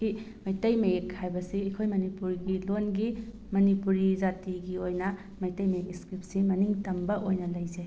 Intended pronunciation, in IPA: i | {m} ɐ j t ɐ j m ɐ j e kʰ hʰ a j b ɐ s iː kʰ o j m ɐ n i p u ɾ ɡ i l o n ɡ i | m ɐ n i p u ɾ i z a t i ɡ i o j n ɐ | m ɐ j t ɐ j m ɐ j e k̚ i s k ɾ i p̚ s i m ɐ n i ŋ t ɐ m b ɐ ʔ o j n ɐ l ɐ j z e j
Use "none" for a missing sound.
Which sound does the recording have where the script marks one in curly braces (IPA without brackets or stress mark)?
m